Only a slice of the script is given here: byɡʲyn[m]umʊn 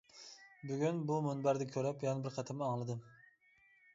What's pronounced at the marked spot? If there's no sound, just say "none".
b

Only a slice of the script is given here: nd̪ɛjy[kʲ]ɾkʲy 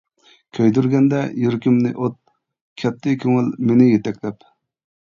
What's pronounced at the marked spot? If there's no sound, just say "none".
none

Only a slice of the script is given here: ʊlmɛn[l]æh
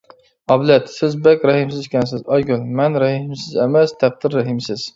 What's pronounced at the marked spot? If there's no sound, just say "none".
ɾ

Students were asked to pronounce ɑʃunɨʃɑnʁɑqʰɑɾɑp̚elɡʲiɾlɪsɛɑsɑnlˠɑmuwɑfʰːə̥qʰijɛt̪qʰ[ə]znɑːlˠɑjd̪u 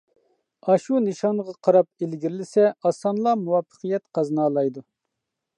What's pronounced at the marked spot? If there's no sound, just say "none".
ɑ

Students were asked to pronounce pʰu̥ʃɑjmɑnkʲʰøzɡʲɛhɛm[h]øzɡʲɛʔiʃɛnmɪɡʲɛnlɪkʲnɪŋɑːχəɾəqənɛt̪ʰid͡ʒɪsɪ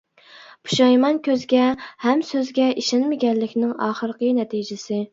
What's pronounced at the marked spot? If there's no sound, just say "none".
s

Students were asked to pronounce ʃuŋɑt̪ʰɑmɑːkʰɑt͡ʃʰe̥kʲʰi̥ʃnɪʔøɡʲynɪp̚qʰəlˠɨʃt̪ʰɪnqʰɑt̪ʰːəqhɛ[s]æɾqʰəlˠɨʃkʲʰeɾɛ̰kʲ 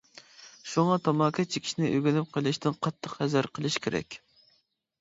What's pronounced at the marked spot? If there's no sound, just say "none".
z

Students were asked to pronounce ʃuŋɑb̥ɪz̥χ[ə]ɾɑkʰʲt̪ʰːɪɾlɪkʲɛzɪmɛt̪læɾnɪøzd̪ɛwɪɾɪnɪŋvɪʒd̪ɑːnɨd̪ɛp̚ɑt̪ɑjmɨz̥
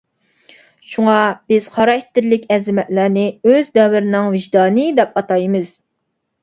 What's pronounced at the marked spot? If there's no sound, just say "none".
ɑ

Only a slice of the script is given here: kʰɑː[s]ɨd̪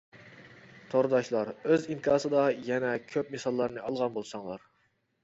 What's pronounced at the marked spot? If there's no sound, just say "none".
s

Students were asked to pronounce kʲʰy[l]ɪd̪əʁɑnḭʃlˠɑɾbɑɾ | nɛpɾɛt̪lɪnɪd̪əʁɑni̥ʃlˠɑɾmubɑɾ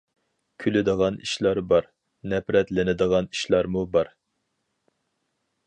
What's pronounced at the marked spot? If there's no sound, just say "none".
l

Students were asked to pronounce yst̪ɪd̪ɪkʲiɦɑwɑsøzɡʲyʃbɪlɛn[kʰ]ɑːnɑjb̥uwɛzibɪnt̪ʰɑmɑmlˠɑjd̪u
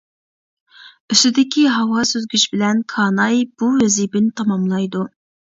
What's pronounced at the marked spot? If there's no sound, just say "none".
kʰ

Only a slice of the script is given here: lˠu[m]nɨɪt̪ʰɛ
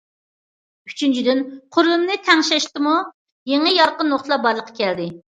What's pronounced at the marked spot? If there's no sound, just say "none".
m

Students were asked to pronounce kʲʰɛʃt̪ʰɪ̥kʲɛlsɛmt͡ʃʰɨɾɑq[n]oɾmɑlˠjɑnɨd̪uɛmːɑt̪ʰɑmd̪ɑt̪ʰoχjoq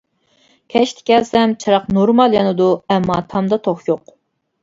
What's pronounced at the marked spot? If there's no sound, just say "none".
n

